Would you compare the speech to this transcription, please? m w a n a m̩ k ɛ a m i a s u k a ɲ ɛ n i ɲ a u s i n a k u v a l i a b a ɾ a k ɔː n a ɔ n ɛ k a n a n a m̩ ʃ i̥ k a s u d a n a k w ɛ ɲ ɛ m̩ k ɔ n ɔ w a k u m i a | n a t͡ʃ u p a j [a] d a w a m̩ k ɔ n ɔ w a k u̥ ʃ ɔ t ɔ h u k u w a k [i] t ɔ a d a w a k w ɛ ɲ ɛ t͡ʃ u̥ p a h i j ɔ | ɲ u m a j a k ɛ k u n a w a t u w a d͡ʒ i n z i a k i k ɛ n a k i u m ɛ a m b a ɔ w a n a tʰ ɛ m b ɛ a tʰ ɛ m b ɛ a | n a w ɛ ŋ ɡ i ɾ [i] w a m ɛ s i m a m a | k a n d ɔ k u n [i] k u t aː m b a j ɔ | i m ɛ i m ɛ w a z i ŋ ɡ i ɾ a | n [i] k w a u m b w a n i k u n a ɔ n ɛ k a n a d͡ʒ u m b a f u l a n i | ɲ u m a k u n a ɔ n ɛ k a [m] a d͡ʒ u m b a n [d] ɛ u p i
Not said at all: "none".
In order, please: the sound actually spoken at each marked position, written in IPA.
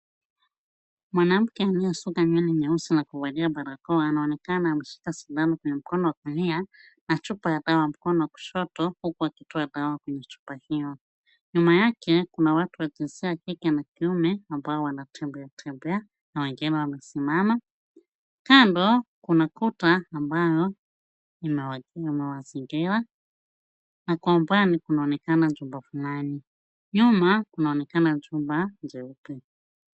a, i, a, a, a, n, d͡ʒ

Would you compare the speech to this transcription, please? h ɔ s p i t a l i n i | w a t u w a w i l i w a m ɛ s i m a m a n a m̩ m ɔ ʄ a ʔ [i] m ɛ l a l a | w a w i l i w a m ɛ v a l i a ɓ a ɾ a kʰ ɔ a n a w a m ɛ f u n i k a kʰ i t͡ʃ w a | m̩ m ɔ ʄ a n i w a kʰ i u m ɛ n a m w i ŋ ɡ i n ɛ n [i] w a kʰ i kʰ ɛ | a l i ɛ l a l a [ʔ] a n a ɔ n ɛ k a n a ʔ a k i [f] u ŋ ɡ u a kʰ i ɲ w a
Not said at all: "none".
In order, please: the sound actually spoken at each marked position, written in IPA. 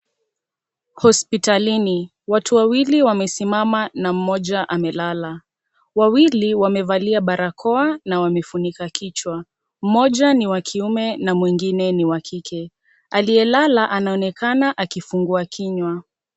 a, i, ʔ, f

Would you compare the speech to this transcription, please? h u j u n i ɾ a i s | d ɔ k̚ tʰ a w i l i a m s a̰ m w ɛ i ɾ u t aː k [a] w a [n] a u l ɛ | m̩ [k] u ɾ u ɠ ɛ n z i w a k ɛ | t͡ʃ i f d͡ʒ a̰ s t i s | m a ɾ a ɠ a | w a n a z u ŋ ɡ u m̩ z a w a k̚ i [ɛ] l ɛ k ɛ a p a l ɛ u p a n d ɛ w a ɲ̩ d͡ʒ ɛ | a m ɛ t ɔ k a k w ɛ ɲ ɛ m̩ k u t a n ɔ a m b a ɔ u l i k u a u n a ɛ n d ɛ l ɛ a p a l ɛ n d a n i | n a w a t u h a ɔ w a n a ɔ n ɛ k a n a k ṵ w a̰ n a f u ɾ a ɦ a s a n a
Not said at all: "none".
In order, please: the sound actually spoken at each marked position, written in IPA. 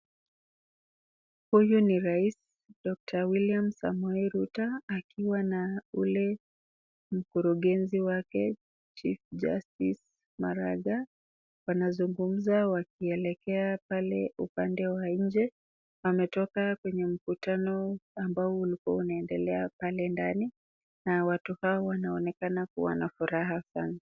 i, n, k, ɛ

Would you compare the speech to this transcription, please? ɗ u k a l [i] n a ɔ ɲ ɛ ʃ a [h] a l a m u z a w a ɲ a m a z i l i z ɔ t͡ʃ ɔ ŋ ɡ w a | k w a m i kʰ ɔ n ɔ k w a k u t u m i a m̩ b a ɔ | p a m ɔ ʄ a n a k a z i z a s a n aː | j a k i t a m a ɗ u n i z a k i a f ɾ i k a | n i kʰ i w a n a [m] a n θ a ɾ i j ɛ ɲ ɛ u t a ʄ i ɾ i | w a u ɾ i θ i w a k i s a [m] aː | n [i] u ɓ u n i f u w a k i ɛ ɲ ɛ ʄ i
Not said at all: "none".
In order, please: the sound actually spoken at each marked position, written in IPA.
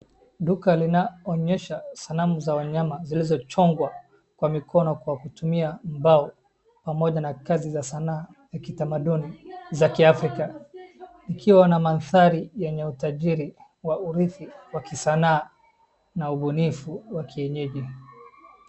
i, s, m, n, a

